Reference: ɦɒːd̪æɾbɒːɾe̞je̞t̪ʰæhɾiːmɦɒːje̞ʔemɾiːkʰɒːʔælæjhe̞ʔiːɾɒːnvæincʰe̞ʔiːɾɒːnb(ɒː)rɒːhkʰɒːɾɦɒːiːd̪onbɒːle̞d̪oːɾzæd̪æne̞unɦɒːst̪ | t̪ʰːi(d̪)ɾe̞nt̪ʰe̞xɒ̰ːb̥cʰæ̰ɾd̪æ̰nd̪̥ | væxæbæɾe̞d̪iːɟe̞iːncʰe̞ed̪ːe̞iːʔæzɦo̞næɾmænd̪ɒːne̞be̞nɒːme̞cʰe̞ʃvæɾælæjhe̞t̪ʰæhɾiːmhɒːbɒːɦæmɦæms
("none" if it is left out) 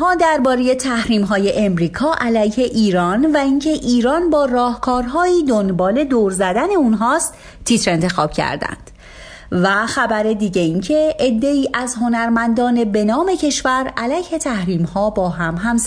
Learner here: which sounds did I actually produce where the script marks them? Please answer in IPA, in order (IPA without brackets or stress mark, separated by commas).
ɒː, t̪